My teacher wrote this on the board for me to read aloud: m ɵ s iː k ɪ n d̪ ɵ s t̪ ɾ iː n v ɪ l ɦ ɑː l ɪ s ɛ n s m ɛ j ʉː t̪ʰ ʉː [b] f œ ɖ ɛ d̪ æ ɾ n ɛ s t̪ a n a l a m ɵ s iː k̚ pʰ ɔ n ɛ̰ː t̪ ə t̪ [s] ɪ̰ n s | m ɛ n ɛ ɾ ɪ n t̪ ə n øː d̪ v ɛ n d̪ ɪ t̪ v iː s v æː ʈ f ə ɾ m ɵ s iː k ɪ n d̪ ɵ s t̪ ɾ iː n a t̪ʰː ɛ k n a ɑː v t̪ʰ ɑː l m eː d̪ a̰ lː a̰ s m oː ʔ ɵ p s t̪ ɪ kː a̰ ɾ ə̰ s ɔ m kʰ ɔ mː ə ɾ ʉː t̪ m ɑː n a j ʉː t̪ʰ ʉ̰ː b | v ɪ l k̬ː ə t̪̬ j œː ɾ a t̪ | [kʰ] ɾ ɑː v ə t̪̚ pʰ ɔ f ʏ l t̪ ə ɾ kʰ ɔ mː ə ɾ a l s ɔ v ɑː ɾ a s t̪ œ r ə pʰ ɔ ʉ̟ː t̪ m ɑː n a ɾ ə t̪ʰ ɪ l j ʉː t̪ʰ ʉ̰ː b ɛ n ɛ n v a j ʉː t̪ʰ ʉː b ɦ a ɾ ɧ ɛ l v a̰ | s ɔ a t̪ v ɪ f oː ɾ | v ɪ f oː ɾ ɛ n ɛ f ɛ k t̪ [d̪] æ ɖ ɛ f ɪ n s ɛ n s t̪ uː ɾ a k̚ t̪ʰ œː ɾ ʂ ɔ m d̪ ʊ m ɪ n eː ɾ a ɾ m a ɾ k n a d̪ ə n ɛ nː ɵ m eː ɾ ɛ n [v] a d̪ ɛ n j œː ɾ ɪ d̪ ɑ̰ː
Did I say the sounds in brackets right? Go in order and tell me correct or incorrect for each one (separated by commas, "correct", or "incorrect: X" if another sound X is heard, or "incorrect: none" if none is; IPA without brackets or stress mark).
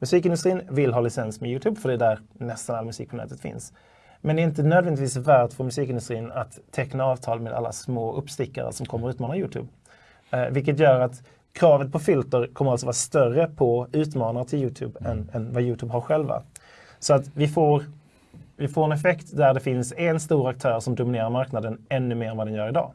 correct, incorrect: f, correct, correct, correct